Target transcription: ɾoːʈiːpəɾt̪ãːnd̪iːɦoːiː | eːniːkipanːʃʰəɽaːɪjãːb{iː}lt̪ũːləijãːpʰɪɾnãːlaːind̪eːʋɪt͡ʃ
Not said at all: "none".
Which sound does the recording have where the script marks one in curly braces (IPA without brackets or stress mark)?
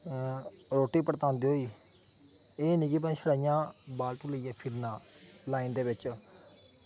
aː